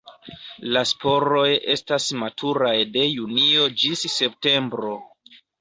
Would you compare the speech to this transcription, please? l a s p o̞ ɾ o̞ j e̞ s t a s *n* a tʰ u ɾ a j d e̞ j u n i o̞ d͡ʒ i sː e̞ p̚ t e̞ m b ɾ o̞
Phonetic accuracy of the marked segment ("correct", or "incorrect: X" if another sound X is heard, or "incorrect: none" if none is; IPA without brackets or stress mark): incorrect: m